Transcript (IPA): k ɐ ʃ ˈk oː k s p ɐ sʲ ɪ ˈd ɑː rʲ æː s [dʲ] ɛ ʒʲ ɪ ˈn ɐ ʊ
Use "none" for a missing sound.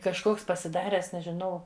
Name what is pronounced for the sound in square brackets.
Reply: nʲ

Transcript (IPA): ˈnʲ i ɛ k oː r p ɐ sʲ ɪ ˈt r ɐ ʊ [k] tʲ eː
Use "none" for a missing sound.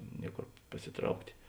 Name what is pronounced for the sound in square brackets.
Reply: k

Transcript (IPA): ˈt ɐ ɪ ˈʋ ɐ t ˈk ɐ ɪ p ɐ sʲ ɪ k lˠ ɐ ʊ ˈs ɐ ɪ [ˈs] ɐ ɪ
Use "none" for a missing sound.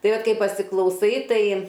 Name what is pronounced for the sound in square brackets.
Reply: t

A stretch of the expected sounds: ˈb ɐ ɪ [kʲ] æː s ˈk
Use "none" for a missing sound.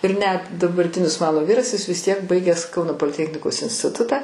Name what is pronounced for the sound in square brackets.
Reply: ɡʲ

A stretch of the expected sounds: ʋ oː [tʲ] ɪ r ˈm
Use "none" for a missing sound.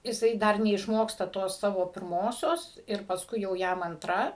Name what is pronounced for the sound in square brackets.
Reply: pʲ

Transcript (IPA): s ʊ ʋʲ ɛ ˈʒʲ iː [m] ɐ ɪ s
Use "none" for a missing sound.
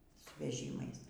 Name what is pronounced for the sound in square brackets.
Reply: m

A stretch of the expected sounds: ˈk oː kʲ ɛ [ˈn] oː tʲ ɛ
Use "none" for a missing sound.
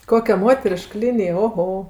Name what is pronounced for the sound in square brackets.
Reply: m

